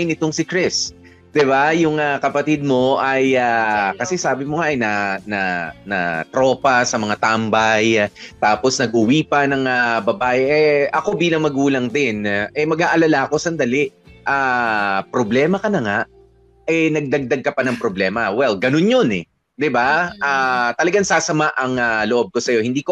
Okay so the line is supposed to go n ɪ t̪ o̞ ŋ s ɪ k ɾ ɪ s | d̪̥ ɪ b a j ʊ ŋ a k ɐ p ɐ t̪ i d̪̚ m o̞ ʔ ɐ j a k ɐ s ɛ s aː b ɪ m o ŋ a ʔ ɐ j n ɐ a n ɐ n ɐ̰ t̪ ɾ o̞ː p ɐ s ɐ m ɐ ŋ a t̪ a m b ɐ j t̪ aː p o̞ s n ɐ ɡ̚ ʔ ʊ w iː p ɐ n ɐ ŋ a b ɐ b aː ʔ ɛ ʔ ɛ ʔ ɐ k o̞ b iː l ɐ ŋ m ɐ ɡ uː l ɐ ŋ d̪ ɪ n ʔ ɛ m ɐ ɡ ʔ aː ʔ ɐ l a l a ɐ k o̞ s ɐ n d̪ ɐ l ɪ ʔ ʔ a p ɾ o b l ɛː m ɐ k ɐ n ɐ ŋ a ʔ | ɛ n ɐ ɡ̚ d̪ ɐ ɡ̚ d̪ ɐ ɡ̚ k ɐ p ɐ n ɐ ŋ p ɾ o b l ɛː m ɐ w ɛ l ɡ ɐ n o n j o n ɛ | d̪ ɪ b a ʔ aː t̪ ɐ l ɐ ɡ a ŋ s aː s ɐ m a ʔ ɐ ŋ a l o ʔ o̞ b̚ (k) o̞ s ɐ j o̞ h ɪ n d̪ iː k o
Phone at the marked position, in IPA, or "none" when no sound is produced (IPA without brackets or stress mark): k